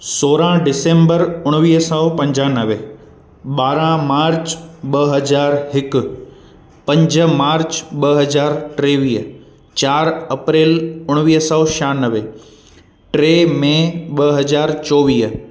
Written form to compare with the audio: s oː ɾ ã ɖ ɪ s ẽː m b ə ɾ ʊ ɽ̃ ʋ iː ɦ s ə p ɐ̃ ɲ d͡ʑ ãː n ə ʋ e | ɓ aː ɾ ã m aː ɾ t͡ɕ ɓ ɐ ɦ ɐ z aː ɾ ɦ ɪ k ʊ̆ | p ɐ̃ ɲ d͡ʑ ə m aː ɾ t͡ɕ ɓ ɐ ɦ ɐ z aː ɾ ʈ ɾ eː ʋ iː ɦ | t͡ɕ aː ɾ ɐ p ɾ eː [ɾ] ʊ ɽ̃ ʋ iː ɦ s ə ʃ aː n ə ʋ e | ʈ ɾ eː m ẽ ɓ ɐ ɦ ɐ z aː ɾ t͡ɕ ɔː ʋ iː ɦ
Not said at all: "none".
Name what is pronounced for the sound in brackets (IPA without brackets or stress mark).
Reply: l